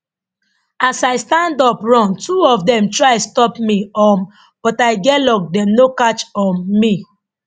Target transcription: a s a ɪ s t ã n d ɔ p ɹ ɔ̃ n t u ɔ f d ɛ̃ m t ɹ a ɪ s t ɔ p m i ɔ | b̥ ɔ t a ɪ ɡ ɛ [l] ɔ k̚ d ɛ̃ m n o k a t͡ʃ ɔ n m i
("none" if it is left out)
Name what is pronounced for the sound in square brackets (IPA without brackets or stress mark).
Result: l